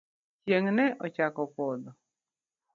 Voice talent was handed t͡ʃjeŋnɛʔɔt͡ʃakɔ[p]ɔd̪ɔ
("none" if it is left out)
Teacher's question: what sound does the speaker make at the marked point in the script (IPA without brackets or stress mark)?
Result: p